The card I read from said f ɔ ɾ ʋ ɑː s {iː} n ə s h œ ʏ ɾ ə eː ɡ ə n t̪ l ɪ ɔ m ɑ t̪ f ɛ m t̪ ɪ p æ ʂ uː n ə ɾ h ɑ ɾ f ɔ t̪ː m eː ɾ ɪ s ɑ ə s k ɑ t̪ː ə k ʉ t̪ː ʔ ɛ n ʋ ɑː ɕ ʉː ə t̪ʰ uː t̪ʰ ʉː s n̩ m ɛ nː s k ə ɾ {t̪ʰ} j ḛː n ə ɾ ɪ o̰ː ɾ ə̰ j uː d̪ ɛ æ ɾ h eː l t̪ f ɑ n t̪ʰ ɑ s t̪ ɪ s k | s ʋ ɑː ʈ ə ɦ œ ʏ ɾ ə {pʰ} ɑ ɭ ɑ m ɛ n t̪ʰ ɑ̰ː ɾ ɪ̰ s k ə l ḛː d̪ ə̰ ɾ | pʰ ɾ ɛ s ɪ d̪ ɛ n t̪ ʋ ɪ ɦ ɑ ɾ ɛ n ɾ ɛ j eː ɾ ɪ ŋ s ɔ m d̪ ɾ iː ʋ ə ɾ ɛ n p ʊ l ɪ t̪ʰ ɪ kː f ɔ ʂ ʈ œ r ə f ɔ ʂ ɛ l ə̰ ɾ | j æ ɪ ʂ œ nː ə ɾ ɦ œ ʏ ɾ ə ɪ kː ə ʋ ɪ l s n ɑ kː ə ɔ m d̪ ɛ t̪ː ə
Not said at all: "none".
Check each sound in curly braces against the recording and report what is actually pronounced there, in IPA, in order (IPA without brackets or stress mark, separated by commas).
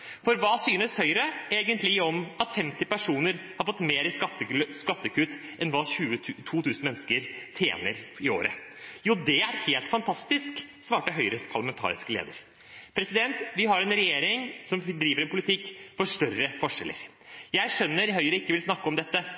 yː, t̪ʰ, pʰ